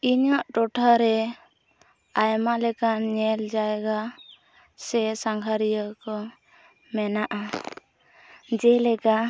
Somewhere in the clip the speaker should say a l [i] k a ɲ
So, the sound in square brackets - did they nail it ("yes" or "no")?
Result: no